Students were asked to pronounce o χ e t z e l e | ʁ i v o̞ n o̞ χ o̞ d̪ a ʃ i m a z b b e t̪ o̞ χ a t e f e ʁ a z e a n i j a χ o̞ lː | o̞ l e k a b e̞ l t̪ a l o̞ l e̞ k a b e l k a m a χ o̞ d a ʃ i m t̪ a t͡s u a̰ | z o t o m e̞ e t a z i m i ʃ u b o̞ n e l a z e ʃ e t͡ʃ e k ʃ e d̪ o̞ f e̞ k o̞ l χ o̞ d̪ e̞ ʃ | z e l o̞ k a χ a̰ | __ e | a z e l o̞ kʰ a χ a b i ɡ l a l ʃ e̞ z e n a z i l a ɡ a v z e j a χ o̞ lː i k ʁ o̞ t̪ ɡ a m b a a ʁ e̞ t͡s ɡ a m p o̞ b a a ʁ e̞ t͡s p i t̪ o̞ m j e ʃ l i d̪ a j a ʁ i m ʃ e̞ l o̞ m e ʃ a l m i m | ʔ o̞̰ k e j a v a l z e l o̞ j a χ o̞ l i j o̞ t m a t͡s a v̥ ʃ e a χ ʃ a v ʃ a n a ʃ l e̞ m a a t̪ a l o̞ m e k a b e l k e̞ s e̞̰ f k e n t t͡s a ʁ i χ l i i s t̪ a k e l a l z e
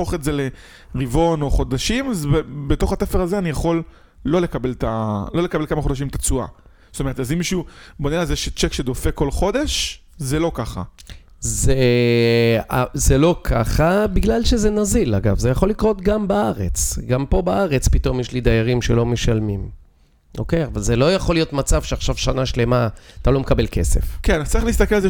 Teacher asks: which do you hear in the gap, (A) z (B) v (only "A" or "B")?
A